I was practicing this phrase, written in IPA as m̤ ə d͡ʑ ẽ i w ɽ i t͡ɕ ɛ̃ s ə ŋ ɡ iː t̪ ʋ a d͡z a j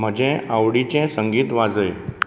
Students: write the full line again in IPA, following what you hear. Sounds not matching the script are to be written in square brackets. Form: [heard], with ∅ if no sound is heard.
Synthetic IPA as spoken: m̤ ə d͡ʑ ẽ [a] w ɽ i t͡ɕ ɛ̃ s ə ŋ ɡ iː t̪ ʋ a d͡z [ə] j